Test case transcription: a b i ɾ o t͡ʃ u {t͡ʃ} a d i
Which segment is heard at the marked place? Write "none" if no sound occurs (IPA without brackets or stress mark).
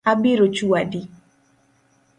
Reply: none